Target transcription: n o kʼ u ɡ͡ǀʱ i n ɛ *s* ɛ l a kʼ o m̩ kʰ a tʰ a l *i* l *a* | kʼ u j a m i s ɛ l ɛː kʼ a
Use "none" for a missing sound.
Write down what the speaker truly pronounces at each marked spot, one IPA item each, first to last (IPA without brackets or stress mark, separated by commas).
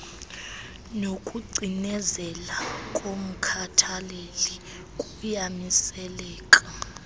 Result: z, e, i